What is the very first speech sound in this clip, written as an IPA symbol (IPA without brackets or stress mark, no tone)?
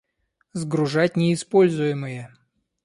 z